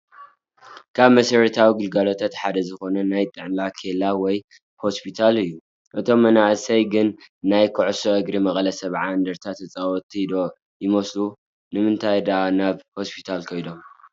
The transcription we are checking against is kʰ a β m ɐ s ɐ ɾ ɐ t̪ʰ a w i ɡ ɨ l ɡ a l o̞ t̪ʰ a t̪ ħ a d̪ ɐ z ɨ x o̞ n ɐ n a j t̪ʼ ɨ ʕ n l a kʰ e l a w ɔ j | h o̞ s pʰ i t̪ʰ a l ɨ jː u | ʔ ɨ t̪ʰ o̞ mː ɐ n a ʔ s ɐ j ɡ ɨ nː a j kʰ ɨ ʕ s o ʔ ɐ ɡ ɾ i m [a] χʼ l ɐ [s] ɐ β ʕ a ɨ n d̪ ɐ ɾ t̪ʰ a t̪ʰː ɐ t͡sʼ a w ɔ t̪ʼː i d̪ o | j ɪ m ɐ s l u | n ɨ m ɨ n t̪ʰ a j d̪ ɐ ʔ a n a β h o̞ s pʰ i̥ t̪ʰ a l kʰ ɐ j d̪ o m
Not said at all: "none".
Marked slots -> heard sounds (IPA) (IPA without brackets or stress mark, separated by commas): ɐ, s